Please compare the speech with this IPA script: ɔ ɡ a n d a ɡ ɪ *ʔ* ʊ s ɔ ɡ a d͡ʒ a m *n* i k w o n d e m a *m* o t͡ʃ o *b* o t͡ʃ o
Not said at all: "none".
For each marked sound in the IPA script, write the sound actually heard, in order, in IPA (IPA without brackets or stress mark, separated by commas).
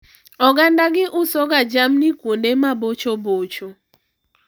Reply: ʔ, n, b, b